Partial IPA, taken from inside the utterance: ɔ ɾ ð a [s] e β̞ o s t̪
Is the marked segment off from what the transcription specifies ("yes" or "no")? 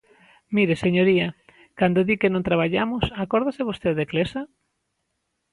no